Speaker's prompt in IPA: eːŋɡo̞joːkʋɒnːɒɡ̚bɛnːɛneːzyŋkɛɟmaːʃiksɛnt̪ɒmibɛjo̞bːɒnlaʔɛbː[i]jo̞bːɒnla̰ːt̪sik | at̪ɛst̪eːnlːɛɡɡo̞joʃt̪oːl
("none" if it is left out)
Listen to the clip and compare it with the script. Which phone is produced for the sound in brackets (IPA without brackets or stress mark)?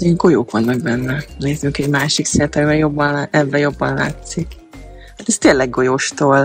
ɛ